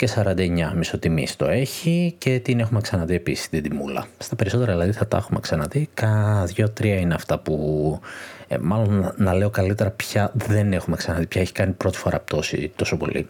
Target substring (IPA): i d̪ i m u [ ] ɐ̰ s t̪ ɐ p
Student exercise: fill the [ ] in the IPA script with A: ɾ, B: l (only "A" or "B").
B